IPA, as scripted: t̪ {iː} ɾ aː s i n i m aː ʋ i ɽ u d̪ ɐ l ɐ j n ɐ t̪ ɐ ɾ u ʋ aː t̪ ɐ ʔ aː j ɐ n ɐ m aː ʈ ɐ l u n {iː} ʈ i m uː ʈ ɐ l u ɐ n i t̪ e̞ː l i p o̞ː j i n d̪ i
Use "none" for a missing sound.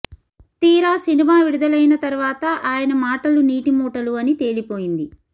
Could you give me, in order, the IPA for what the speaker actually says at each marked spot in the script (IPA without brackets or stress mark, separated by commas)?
iː, iː